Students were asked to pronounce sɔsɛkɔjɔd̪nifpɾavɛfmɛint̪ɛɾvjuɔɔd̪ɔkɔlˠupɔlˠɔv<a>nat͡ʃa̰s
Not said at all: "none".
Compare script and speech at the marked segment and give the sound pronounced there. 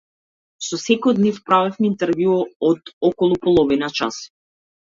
i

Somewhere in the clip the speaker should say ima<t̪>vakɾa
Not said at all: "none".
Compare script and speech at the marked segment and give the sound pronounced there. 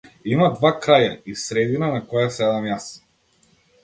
d̪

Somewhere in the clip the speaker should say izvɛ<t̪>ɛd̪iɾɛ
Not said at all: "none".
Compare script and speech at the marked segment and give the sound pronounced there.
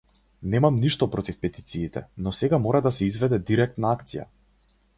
d̪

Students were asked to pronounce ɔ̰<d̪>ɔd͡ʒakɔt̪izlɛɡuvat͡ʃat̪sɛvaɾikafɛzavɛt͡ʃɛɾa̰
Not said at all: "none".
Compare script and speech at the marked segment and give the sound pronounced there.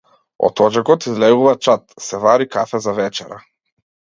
t̪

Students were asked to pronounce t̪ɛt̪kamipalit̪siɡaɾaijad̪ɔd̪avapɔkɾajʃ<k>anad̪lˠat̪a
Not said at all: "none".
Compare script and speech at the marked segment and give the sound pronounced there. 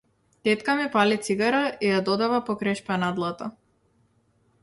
p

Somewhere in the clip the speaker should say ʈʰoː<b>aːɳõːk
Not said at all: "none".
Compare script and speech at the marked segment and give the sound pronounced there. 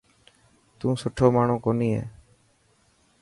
m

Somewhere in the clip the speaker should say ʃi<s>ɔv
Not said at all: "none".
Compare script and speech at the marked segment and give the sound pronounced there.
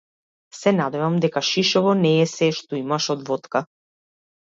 ʃ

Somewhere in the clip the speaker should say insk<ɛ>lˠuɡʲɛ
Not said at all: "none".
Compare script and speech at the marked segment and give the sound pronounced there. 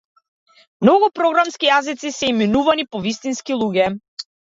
i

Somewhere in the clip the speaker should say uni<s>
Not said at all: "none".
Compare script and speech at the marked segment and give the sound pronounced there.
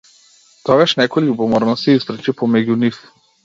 f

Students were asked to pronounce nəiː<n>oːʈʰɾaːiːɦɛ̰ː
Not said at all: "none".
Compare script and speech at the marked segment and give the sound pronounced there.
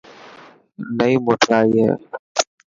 m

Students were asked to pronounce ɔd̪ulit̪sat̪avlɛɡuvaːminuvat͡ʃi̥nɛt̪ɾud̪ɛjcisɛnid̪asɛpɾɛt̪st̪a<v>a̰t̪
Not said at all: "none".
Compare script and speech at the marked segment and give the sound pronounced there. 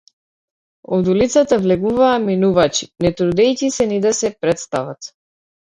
v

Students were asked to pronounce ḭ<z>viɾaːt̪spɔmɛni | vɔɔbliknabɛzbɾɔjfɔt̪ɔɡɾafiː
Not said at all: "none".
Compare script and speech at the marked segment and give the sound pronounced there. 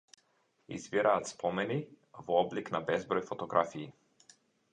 z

